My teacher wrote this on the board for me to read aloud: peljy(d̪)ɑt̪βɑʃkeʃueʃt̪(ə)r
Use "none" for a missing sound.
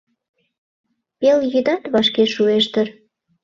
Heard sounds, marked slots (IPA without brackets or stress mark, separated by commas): d̪, ə